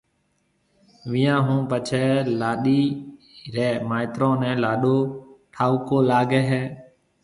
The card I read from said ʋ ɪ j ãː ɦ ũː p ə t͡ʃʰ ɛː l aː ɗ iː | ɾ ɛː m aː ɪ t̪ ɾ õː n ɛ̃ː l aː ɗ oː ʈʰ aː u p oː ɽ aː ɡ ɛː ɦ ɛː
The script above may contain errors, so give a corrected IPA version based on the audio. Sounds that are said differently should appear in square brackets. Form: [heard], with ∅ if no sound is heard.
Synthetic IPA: ʋ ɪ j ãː ɦ ũː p ə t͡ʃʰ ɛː l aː ɗ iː | ɾ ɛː m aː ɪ t̪ ɾ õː n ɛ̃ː l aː ɗ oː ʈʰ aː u [k] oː [l] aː ɡ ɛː ɦ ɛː